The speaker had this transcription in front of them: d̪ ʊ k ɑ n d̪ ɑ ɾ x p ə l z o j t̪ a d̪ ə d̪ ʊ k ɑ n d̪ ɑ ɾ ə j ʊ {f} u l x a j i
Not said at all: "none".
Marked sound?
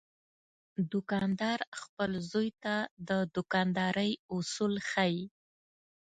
s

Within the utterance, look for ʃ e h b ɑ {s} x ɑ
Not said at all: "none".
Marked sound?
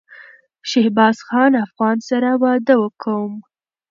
s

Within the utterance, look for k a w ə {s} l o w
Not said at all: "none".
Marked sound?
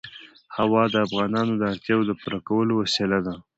none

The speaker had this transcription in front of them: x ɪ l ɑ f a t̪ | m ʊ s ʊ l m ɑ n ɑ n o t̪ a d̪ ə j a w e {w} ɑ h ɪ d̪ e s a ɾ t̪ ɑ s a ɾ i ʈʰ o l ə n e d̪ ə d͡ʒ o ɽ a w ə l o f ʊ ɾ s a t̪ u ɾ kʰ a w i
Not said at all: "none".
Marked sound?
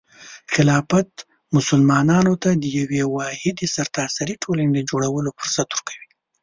w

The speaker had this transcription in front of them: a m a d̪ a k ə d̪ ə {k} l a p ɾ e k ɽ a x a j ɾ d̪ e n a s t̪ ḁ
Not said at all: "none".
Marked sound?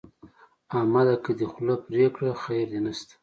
x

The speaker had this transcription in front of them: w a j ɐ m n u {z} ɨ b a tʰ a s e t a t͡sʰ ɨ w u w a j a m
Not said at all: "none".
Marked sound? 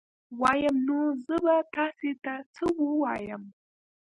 z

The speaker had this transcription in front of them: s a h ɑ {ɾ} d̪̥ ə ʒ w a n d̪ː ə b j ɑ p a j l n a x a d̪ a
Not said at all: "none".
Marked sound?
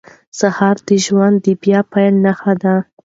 ɾ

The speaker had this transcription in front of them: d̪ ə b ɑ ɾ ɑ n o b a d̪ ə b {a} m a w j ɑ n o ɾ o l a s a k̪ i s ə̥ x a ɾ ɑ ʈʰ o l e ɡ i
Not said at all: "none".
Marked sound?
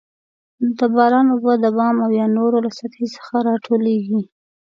ɑ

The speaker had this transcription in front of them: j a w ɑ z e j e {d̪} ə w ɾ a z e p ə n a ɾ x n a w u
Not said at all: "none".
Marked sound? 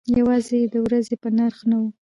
d̪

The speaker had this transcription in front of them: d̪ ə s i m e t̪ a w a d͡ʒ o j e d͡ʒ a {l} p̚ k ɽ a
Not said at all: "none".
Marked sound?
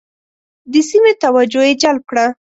l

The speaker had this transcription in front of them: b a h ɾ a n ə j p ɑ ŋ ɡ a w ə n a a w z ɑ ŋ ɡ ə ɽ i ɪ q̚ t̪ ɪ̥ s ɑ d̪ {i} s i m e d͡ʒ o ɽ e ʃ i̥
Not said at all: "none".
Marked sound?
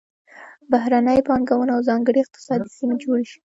i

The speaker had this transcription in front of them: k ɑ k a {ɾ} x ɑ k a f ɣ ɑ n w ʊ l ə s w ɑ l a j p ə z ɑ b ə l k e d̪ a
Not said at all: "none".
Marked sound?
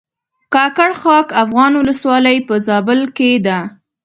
ɽ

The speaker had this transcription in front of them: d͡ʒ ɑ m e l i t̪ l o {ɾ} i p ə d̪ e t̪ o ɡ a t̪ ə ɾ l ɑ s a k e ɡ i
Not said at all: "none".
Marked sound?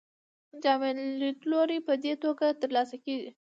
ɾ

